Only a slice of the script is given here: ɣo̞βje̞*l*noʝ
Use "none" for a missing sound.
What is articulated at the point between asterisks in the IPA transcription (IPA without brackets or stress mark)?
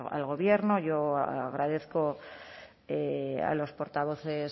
ɾ